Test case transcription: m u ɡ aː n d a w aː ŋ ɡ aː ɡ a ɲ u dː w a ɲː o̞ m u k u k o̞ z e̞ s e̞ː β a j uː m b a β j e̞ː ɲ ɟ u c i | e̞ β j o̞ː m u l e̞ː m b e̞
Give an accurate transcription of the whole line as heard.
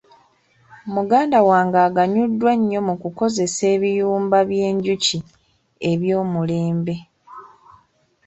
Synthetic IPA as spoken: m u ɡ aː n d a w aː ŋ ɡ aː ɡ a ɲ u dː w a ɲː o̞ m u k u k o̞ z e̞ s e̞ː β i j uː m b a β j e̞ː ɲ ɟ u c i | e̞ β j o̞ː m u l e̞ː m b e̞